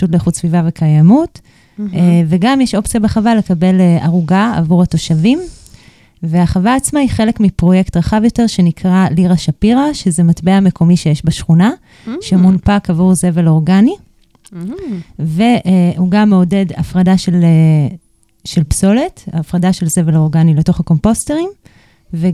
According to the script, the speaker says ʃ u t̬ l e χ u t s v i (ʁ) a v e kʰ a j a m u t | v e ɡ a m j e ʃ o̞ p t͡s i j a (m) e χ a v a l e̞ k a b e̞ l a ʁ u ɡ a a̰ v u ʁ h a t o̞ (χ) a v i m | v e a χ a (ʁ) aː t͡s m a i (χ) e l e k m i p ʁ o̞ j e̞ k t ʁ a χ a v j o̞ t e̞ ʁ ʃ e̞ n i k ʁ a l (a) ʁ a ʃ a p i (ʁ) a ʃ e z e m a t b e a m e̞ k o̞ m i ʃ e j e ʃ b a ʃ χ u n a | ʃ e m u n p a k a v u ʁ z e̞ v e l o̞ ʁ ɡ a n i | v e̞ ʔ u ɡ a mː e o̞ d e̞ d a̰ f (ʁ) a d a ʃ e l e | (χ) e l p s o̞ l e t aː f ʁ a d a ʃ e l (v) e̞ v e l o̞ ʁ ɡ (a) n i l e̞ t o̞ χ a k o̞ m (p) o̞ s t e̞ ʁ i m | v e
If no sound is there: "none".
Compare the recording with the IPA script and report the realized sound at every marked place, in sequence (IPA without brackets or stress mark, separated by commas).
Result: v, b, ʃ, v, χ, i, ʁ, ʁ, ʃ, z, a, p